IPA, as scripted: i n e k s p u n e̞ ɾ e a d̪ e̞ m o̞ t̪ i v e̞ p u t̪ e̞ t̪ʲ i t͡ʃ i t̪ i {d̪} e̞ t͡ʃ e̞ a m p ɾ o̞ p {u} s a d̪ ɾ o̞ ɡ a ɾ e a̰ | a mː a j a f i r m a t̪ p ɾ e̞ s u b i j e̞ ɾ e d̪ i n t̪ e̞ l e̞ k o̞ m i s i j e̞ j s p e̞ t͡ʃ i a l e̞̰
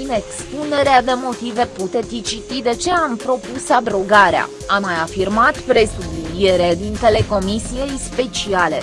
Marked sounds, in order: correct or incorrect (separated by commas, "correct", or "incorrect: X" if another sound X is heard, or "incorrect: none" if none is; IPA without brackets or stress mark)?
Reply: correct, correct